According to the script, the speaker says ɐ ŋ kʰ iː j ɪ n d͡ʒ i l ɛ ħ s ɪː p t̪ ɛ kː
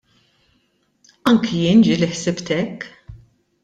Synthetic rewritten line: ɐ ŋ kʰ i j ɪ n d͡ʒ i l i ħ s ɪ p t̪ ɛ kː